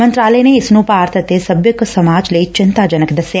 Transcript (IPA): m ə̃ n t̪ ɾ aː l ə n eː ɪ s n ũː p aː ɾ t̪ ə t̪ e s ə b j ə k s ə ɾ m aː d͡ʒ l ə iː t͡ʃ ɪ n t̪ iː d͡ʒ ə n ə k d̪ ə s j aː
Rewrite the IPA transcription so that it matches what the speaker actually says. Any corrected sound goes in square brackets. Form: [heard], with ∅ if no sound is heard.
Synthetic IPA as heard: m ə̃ n t̪ ɾ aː l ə n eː ɪ s n ũː p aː ɾ t̪ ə t̪ e s ə b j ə k s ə [∅] m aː d͡ʒ l ə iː t͡ʃ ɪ n t̪ [aː] d͡ʒ ə n ə k d̪ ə s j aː